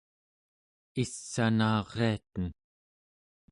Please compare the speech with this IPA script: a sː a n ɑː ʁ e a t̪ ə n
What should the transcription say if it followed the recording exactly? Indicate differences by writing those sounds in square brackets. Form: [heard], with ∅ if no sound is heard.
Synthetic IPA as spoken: [i] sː a n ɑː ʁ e a t̪ ə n